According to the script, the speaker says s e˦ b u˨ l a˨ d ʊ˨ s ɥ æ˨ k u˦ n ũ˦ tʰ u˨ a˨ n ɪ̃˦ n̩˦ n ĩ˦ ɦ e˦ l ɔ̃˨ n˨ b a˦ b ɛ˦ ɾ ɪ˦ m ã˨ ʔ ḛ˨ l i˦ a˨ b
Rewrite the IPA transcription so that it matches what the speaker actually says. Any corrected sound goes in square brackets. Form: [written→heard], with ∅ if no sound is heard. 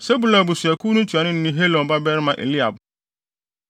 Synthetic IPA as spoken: s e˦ b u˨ l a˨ [d→b] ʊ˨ s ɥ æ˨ k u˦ n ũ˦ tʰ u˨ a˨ n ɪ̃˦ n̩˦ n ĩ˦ ɦ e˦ l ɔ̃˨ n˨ b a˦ b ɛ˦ ɾ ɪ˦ m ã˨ ʔ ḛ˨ l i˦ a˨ b

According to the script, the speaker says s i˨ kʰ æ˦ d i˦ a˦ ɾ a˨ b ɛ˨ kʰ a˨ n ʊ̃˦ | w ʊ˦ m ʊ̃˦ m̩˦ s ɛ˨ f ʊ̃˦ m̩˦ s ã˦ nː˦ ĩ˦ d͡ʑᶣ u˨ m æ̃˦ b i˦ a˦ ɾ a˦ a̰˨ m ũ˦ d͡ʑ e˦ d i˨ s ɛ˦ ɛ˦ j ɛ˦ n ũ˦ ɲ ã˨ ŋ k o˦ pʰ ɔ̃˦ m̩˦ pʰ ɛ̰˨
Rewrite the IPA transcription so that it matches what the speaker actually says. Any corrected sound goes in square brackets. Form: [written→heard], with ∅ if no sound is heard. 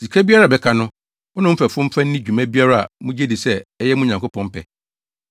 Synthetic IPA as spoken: s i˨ kʰ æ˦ [d→b] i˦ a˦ ɾ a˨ b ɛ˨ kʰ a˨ n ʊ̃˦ | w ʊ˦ [m→n] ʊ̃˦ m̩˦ [s→f] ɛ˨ f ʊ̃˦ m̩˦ [s→f] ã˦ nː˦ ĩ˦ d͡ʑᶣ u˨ m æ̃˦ b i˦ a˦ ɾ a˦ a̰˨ m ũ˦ d͡ʑ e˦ d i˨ s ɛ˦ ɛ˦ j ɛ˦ [n→m] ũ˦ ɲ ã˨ ŋ k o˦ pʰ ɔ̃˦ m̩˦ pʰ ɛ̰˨

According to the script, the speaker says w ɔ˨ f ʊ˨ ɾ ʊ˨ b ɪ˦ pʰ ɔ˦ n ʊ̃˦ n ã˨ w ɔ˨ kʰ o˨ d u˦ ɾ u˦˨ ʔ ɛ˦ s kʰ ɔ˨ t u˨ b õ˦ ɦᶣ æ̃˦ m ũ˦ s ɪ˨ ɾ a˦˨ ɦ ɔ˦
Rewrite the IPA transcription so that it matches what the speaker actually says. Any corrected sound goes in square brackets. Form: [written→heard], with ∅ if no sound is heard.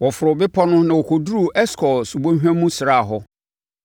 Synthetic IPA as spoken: w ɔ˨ f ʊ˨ ɾ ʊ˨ b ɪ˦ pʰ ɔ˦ n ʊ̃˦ n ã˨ w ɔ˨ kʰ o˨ d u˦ ɾ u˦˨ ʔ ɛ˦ s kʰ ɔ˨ [t→s] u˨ b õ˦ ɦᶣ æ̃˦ m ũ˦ s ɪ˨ ɾ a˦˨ ɦ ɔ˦

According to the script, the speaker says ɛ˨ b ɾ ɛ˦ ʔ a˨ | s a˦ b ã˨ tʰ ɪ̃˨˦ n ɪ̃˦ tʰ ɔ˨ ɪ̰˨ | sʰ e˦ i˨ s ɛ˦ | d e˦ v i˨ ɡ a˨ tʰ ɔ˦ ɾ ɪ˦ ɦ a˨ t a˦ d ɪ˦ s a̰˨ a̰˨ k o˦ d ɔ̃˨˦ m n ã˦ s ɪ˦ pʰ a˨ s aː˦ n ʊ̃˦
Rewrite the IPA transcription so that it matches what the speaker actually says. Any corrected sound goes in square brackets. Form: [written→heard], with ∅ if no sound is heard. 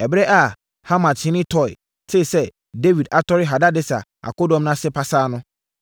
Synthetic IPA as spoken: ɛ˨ b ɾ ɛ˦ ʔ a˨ | [s→h] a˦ [b→m] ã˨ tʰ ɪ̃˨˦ n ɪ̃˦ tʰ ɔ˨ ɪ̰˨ | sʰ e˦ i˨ s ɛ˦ | d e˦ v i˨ [ɡ→d] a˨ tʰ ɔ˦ ɾ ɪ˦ ɦ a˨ [t→d] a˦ d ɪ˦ s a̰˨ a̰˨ k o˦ d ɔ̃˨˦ m n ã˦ s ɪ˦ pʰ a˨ s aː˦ n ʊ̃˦

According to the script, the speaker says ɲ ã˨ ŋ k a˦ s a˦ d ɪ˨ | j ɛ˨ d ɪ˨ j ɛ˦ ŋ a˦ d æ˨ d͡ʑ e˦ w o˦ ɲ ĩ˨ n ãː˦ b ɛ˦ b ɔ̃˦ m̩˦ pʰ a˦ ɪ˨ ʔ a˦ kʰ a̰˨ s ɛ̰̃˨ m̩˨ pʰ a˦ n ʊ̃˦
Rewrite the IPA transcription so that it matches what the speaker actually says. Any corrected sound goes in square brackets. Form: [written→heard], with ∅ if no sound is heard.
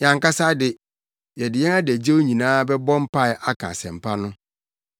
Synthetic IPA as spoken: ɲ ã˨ ŋ k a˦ s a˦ d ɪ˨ | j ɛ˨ d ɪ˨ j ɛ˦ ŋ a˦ d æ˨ d͡ʑ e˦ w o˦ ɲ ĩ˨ n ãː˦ b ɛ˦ b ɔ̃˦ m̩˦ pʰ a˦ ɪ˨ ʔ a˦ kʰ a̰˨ s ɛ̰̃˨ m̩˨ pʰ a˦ n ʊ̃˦

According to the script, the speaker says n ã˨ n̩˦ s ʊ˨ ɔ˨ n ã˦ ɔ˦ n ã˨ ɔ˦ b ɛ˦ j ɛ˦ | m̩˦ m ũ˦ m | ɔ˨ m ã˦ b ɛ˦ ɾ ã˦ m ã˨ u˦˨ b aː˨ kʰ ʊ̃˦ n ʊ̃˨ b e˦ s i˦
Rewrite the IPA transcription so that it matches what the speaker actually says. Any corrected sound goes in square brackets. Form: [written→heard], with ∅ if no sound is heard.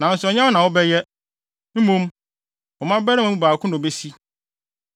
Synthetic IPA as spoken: n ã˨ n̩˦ s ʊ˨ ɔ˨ [n→ɲ] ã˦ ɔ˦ n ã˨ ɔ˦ b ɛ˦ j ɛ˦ | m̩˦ m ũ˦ m | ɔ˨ m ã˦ b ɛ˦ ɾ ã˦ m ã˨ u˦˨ b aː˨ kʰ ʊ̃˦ n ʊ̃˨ b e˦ s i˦

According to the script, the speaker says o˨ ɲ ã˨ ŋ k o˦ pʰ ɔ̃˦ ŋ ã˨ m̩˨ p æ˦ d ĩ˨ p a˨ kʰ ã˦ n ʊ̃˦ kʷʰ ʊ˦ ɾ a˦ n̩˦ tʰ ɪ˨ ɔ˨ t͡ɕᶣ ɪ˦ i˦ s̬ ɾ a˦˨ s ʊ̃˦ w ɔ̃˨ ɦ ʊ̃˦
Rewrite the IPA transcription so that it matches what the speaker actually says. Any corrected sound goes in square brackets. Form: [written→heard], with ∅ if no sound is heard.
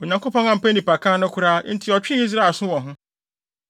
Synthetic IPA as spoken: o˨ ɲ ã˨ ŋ k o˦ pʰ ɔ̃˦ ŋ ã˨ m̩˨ p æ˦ [d→n] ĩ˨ p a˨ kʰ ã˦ n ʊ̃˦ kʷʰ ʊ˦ ɾ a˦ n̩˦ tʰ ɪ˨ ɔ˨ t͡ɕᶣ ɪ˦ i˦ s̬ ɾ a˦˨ s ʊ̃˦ w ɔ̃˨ ɦ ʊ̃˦

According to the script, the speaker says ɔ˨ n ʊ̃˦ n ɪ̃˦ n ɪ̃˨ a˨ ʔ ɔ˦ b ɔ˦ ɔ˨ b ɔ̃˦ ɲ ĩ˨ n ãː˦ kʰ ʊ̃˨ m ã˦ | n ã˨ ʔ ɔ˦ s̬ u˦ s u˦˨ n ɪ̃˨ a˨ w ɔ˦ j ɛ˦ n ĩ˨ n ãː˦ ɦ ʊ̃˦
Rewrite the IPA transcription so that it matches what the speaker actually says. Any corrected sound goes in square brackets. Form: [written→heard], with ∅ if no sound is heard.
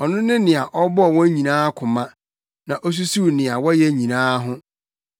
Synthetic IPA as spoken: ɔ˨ n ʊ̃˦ n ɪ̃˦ n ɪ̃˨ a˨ ʔ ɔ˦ b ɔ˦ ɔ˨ [b→w] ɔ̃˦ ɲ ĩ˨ n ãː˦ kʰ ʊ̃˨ m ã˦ | n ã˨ ʔ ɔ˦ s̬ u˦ s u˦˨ n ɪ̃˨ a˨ w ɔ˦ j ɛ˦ [n→ɲ] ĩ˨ n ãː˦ ɦ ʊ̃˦

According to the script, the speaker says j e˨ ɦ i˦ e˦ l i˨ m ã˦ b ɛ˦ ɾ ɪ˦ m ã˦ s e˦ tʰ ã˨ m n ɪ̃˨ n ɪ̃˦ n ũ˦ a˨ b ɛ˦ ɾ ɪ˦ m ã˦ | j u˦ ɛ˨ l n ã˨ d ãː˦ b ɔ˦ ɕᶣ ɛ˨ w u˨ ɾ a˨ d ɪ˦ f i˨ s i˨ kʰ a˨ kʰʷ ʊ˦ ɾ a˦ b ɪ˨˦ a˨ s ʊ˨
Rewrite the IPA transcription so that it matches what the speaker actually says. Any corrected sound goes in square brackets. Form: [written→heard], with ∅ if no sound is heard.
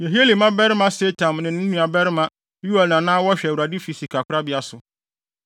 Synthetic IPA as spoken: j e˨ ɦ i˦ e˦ l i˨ m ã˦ b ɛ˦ ɾ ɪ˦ m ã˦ s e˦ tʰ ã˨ m n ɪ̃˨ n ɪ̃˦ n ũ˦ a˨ b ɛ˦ ɾ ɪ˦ m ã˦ | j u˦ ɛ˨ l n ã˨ [d→n] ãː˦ [b→w] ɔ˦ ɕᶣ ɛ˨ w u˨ ɾ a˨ d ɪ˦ f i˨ s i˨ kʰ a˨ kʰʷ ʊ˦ ɾ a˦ b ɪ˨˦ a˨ s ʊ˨

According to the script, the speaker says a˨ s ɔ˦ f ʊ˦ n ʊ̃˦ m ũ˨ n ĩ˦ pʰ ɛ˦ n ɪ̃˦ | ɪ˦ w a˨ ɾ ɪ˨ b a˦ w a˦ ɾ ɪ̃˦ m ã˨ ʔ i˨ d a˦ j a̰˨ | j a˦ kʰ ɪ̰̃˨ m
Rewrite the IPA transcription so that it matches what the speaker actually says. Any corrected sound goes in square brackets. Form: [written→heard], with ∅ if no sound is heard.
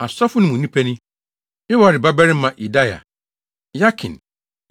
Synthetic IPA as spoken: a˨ s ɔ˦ f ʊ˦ n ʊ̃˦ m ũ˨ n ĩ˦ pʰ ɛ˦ n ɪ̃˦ | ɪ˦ w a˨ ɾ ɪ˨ b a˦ [w→b] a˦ ɾ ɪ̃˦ m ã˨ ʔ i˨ d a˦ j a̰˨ | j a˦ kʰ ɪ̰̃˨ [m→n]

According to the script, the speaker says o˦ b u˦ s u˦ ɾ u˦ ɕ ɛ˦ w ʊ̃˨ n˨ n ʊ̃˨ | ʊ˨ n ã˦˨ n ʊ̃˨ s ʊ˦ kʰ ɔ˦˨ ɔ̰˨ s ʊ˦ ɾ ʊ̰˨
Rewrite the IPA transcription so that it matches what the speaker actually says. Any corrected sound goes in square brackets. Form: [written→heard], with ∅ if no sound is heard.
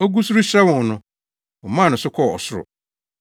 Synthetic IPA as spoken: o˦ [b→ɡ] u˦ s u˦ ɾ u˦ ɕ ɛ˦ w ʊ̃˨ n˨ n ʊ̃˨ | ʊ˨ [n→m] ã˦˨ n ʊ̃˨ s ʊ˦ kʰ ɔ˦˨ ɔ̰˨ s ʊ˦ ɾ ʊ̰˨

